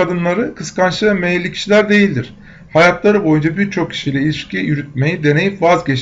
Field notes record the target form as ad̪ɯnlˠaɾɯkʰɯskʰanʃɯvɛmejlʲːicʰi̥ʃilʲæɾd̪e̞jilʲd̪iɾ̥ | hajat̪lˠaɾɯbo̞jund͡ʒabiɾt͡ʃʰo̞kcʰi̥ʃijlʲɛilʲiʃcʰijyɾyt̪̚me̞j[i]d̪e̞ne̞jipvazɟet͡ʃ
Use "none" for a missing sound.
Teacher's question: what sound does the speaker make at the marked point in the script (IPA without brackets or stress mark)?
i